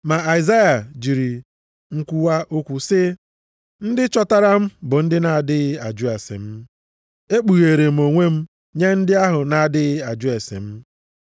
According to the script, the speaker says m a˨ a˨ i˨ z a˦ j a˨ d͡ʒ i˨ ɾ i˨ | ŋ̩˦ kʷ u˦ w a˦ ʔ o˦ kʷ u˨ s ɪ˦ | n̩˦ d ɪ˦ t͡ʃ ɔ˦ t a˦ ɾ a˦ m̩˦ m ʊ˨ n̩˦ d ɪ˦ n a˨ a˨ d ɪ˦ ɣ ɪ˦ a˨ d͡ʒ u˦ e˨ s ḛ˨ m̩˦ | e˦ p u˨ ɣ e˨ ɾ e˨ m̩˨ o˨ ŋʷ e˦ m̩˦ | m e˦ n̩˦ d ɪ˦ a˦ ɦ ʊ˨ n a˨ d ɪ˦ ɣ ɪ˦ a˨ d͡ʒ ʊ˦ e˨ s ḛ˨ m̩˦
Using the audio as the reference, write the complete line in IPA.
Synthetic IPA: m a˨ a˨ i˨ z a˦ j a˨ d͡ʒ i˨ ɾ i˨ | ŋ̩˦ kʷ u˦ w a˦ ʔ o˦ kʷ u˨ s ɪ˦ | n̩˦ d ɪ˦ t͡ʃ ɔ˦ t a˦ ɾ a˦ m̩˦ b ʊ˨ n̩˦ d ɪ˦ n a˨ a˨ d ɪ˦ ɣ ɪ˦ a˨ d͡ʒ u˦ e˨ s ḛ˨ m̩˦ | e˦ k͡p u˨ ɣ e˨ ɾ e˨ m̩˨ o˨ ŋʷ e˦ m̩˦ | ɲ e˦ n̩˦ d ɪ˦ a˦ ɦ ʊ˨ n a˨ d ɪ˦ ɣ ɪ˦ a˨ d͡ʒ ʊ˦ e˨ s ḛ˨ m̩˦